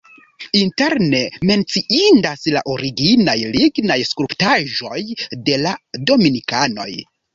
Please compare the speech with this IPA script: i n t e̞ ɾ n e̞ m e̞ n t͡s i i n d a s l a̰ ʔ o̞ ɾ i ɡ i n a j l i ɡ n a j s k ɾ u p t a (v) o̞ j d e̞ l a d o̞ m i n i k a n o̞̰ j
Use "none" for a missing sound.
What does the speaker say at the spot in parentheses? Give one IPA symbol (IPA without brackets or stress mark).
ʒ